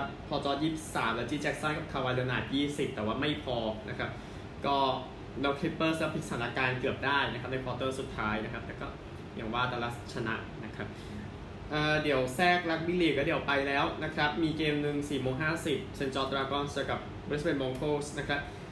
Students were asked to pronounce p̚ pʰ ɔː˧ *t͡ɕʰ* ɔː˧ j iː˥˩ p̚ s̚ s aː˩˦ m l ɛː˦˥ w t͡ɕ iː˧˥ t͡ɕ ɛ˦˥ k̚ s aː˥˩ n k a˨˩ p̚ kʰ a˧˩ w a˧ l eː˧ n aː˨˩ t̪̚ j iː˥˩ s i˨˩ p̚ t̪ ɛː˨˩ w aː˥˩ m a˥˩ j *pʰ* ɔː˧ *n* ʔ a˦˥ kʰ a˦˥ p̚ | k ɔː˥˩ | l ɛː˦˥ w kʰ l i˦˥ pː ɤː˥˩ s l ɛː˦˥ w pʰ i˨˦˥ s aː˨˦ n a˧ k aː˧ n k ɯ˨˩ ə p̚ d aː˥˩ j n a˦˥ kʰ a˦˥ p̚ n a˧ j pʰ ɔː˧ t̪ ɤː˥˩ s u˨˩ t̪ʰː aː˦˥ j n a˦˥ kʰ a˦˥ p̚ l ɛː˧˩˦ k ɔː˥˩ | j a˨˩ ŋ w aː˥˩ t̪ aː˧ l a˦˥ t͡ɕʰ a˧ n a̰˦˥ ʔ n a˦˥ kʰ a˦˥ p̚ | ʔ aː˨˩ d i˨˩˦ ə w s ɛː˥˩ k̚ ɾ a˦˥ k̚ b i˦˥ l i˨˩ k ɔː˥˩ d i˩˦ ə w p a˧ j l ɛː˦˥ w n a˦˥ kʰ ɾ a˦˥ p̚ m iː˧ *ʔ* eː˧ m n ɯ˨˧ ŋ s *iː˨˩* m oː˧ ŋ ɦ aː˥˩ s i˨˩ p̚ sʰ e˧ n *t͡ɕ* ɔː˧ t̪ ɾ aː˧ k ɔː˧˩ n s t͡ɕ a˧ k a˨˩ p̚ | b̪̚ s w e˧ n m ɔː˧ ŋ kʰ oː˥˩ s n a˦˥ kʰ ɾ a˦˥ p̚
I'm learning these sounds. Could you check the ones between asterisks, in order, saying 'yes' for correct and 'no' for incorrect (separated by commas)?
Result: no, yes, yes, no, yes, yes